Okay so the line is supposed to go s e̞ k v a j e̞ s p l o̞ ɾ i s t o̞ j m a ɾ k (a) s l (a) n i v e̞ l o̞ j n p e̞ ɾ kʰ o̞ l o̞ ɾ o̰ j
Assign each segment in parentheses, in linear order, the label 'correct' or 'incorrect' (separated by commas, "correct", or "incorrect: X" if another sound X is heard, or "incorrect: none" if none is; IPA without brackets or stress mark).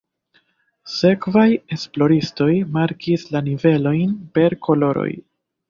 incorrect: i, correct